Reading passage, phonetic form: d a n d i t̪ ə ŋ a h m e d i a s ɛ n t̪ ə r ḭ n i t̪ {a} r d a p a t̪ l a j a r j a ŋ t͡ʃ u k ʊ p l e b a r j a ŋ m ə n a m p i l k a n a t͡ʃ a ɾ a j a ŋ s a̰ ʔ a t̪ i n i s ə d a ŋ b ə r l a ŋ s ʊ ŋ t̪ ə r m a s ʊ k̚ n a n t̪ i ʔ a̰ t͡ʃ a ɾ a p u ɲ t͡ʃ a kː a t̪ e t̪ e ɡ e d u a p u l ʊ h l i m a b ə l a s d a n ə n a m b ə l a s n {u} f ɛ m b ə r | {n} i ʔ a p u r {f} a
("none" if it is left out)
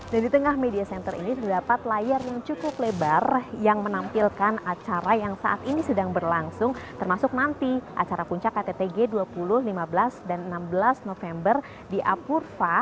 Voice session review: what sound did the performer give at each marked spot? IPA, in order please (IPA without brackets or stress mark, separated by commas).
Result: ə, o, d, f